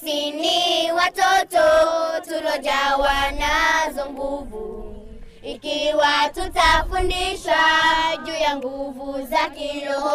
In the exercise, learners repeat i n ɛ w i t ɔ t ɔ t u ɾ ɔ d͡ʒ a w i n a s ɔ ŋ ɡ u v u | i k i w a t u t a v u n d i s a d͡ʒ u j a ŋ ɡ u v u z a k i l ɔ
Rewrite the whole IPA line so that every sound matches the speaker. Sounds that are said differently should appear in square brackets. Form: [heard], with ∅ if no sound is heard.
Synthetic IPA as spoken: i n [i] w [a] t ɔ t ɔ t u ɾ ɔ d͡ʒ a w [a] n a [z] ɔ ŋ ɡ u v u | i k i w a t u t a [f] u n d i [ʃ] a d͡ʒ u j a ŋ ɡ u v u z a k i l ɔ